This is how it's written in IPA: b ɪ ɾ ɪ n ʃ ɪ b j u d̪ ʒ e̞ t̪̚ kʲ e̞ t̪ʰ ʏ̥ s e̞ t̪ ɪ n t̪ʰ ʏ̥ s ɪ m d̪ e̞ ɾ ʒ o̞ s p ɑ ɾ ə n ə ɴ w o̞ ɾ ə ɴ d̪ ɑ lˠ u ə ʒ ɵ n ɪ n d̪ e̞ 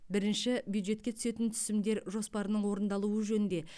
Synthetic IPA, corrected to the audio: b ɪ ɾ ɪ n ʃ ɪ b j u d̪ ʒ e̞ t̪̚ kʲ e̞ t̪ʰ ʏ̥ s e̞ t̪ ɪ n t̪ʰ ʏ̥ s ɪ m d̪ e̞ ɾ ʒ o̞ s p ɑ ɾ ə n ə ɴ w o̞ ɾ ə n d̪ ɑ lˠ u ə ʒ ɵ n ɪ n d̪ e̞